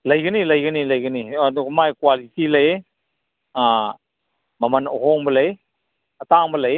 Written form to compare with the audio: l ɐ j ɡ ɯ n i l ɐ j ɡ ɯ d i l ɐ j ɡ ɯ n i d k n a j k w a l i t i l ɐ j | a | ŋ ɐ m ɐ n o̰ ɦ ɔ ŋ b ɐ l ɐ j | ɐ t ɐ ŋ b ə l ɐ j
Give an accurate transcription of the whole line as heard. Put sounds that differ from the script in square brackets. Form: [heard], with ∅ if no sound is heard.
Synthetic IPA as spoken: l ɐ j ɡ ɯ n i l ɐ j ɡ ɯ [n] i l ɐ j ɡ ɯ n i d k [m] a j k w a l i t i l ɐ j | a | [m] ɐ m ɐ n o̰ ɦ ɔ ŋ b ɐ l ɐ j | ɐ t [a] ŋ b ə l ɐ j